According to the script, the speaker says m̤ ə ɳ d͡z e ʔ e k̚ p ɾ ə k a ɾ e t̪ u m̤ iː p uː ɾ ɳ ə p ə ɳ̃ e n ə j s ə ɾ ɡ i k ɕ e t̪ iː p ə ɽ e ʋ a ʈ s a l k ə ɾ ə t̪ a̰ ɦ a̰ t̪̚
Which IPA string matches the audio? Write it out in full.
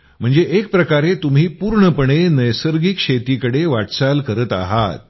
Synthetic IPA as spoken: m̤ ə ɳ d͡z e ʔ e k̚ p ɾ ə k a ɾ e t̪ u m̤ iː p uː ɾ ɳ ə p ə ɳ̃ e n ə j s ə ɾ ɡ i k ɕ e t̪ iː k ə ɽ e ʋ a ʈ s a l k ə ɾ ə t̪ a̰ ɦ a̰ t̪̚